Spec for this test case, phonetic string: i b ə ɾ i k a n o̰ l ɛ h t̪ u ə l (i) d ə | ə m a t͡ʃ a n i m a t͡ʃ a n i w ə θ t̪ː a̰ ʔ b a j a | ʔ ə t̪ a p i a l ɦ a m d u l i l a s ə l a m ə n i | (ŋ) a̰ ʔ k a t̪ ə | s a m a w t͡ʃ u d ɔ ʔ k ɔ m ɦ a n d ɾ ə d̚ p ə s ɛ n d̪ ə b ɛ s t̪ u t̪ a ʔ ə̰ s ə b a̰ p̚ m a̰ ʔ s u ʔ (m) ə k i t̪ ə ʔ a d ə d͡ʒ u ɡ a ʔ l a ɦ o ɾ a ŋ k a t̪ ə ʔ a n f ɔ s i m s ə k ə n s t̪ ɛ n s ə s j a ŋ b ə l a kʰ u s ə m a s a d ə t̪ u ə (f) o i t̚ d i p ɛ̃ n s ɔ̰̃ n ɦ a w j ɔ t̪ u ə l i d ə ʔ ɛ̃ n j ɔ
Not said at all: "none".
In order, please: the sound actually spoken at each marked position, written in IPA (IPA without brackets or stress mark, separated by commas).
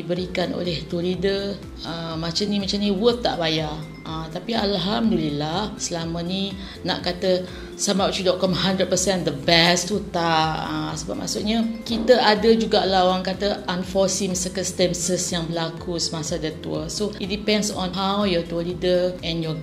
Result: i, n, ɲ, s